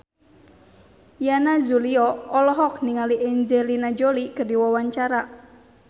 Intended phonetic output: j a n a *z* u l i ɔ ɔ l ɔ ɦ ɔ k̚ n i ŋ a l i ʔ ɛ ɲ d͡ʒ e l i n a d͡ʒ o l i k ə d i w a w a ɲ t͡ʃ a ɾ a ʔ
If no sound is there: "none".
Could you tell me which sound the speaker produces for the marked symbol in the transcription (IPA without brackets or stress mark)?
z